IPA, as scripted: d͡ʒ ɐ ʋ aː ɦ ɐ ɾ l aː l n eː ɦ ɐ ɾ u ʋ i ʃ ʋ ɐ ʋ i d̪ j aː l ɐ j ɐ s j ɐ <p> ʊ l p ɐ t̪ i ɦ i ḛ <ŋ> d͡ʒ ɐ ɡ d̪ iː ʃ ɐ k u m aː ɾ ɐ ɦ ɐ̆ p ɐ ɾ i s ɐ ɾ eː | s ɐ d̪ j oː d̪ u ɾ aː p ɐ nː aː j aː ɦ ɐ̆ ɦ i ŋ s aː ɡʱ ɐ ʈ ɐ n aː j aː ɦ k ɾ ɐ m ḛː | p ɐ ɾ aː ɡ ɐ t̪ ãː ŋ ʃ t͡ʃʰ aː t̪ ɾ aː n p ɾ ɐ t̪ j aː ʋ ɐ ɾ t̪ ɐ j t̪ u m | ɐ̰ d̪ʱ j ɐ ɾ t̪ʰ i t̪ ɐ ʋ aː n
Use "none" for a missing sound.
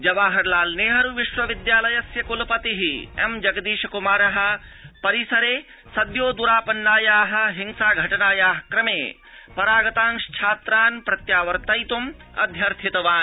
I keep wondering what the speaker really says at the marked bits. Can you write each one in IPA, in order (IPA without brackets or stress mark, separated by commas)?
k, m